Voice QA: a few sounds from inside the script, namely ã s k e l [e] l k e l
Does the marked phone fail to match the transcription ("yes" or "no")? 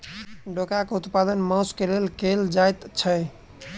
no